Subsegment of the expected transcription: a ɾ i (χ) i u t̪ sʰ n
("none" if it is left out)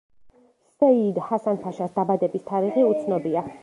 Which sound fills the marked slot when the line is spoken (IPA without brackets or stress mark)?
ʁ